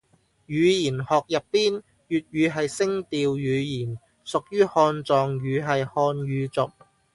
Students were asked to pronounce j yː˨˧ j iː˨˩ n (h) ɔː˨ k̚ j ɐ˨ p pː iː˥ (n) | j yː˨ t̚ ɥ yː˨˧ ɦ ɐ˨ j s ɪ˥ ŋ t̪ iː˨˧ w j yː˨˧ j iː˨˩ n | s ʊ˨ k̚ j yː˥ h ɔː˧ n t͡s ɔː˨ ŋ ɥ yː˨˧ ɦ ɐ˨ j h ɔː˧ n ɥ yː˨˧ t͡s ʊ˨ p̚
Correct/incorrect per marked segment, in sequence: correct, correct

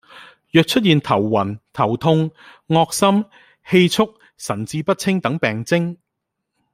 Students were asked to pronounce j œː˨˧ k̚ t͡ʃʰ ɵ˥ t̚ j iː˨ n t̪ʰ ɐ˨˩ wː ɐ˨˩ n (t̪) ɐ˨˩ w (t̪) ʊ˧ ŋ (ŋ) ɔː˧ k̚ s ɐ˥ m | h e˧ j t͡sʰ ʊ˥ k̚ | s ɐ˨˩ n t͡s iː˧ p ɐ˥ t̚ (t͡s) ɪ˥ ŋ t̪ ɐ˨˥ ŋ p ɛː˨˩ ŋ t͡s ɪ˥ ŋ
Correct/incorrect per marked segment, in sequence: incorrect, incorrect, correct, incorrect

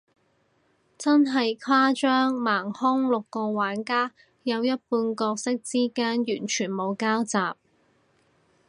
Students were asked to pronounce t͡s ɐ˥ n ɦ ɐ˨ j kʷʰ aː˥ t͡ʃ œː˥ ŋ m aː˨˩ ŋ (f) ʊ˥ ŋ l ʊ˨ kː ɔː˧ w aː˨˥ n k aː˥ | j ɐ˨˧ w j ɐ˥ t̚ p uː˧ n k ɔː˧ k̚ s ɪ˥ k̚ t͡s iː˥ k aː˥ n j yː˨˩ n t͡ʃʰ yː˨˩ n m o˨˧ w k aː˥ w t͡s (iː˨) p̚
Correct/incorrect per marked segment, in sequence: incorrect, incorrect

